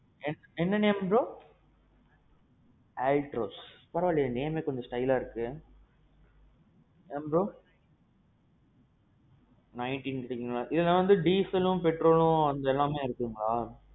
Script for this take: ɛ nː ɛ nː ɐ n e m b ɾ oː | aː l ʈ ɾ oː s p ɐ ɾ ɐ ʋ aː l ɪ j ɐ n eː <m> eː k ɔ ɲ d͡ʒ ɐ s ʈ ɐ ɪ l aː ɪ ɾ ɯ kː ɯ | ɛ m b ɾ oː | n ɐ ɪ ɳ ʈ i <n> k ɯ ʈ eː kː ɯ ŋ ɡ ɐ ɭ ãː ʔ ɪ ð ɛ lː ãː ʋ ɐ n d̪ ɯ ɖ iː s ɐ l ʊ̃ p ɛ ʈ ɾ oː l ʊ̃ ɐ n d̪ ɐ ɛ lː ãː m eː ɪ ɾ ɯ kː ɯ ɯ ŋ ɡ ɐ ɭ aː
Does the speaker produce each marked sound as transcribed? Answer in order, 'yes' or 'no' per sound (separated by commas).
yes, yes